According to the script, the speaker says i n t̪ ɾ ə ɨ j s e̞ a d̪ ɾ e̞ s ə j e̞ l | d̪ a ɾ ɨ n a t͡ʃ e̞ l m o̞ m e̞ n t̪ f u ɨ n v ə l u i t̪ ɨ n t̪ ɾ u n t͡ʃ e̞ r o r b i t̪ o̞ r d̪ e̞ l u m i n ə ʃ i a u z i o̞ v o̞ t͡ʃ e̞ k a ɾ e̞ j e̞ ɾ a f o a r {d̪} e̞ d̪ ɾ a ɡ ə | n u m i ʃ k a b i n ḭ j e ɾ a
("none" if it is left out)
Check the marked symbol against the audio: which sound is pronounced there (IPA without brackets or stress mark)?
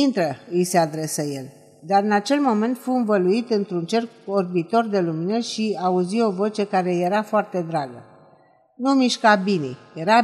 t̪